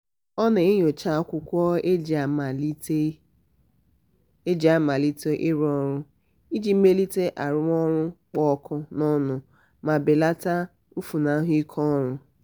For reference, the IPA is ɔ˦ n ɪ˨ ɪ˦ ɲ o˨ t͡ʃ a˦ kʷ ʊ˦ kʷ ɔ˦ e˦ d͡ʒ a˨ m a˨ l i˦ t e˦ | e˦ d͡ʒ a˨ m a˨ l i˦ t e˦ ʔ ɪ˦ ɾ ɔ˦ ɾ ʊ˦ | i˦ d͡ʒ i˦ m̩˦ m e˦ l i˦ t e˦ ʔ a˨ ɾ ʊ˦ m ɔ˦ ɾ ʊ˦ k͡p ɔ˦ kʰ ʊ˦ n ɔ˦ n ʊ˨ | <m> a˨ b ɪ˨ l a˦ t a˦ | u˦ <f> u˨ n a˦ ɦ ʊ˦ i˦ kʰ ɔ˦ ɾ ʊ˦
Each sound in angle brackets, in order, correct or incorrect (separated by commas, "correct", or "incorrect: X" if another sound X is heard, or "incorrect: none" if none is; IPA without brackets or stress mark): correct, correct